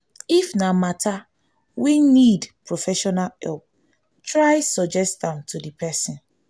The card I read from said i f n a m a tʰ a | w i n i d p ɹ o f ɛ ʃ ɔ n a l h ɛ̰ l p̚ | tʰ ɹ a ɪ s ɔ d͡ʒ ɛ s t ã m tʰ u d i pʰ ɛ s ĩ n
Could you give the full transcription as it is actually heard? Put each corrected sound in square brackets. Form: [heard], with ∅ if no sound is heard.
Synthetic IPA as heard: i f n a m a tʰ a | w i n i d p ɹ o f ɛ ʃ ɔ n a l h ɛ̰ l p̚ | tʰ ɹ a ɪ s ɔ d͡ʒ ɛ s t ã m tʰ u d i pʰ ɛ s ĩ n